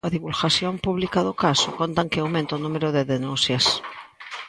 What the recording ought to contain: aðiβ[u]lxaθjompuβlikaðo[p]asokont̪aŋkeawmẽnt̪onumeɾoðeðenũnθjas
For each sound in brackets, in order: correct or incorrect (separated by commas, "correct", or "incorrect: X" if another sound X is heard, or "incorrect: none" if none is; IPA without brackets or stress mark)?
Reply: correct, incorrect: k